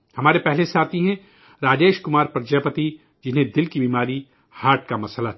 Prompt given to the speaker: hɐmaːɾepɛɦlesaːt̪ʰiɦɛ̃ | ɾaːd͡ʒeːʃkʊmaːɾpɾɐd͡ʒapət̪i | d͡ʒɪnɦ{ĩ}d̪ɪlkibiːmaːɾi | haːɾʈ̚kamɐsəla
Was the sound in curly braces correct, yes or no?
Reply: no